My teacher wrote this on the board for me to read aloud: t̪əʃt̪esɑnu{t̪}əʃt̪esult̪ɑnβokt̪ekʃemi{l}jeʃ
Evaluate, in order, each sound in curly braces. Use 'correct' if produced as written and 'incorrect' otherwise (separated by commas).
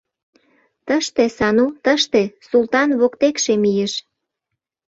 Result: correct, incorrect